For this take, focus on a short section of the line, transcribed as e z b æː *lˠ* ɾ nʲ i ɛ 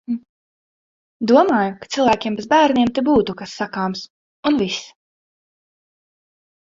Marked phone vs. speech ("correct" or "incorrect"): incorrect